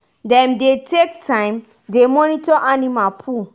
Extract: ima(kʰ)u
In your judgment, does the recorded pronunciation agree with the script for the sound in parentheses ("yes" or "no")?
no